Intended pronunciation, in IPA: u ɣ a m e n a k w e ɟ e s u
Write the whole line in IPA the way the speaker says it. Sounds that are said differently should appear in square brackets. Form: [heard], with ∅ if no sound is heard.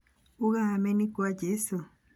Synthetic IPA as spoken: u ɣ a m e n [i] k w [a] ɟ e s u

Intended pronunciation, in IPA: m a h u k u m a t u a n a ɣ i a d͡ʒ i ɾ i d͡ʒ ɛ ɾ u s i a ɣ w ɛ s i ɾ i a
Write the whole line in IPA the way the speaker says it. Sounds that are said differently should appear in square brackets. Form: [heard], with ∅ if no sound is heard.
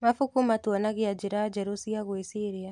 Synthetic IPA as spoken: m a [f] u k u m a t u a n a ɣ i a d͡ʒ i ɾ [a] d͡ʒ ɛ ɾ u s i a ɣ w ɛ s i ɾ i a

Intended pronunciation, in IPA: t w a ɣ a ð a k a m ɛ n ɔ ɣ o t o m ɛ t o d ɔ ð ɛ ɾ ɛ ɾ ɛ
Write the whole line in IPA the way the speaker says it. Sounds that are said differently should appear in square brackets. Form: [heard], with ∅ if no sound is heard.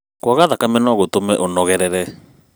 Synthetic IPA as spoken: [k] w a ɣ a ð a k a m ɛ n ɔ ɣ o t o m ɛ [ʔ] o [n] ɔ [ɣ] ɛ ɾ ɛ ɾ ɛ

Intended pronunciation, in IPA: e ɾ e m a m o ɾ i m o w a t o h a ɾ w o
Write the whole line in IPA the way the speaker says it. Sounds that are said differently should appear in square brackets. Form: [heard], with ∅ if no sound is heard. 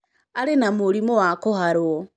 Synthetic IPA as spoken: [a] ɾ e [n] a m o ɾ i m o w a [k] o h a ɾ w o

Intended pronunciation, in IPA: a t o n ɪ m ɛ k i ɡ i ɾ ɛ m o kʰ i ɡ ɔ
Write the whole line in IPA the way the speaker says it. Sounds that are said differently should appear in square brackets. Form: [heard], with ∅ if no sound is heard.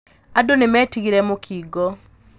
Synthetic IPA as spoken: a [d] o n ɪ m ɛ [t] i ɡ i ɾ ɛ m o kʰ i ɡ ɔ

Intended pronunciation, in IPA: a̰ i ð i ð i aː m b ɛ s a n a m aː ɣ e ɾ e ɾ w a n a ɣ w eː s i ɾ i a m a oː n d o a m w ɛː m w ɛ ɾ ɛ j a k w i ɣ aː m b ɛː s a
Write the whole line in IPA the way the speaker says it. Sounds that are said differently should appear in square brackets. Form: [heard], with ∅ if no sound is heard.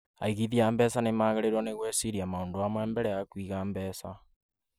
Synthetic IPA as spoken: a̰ i [ɣ] i ð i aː m b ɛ s a n [e] m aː ɣ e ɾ e ɾ w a n [e] ɣ w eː s i ɾ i a m a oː n d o a m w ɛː m [b] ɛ ɾ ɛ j a k w i ɣ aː m b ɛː s a

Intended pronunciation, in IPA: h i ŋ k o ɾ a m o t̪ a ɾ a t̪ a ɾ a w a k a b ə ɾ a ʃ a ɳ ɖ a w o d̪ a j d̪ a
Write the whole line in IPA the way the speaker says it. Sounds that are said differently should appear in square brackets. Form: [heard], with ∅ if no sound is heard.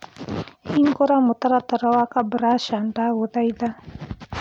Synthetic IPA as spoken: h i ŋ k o ɾ a m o t̪ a ɾ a t̪ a ɾ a w a k a b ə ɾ a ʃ a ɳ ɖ a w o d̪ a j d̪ a

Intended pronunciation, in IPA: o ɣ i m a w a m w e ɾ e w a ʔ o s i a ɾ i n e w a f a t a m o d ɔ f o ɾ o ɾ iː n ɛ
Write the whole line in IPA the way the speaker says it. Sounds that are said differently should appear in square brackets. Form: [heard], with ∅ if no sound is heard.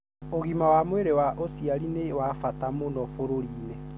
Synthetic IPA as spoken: o ɣ i m a w a m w e ɾ e w a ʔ o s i a ɾ i n e w a f a t a m o [n] ɔ f o ɾ o ɾ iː n ɛ

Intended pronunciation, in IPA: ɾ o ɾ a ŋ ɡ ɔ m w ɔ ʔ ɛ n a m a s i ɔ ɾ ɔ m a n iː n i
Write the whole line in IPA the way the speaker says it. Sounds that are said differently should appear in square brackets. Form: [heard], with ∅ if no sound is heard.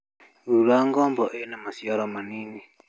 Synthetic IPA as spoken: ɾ [u] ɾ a ŋ ɡ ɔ m [b] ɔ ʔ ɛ n a m a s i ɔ ɾ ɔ m a n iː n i

